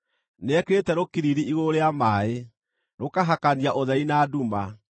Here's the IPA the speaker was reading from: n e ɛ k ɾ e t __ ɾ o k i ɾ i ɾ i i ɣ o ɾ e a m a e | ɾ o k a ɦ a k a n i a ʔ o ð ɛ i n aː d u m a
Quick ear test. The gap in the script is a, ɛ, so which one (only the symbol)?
ɛ